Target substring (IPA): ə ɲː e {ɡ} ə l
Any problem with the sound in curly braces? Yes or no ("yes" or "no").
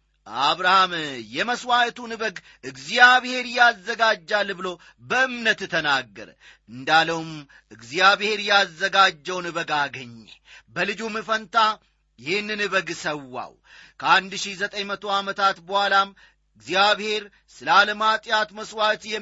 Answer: yes